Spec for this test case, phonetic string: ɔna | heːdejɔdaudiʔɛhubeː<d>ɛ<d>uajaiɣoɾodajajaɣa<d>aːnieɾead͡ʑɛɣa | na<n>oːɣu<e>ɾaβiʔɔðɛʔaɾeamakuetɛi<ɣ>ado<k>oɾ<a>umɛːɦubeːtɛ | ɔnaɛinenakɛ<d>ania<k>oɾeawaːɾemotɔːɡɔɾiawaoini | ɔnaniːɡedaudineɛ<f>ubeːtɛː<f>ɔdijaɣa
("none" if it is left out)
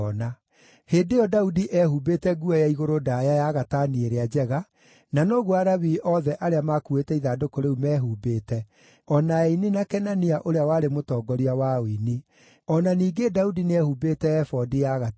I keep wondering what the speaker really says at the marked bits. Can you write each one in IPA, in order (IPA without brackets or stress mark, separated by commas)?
t, ɡ, t, n, a, ð, k, e, n, ʔ, h, f